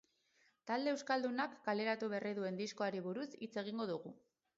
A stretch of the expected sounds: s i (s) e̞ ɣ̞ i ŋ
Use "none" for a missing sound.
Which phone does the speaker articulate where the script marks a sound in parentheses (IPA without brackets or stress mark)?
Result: t͡s